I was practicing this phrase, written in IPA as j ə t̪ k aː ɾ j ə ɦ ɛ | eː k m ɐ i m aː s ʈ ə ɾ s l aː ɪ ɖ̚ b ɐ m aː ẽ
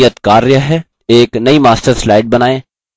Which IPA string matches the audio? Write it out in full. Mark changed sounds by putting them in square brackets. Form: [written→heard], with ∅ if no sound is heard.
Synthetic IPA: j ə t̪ k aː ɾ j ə ɦ ɛ | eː k [m→n] ɐ i m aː s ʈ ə ɾ s l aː ɪ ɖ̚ b ɐ [m→n] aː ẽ